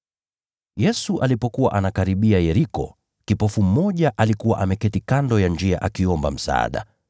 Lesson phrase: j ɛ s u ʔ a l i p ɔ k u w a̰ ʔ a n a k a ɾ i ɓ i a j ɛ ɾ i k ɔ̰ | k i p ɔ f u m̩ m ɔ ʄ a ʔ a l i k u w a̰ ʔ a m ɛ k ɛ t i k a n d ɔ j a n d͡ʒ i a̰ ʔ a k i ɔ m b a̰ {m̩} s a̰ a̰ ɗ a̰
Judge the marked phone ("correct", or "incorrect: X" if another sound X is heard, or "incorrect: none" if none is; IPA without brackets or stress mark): correct